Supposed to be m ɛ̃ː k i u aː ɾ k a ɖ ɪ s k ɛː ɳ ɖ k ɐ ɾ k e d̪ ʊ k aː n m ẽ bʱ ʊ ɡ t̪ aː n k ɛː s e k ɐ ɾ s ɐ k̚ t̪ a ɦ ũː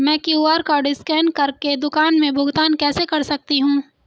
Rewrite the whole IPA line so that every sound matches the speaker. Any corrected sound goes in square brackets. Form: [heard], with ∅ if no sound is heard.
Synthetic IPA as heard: m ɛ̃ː k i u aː ɾ k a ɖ ɪ s k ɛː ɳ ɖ k ɐ ɾ k e d̪ ʊ k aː n m ẽ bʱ ʊ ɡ t̪ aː n k ɛː s e k ɐ ɾ s ɐ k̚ t̪ [i] ɦ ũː